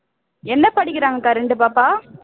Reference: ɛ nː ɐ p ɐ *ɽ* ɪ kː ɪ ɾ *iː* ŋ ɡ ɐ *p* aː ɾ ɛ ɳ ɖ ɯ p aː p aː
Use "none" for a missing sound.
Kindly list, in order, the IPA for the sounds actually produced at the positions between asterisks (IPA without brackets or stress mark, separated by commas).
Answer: ɽ, aː, k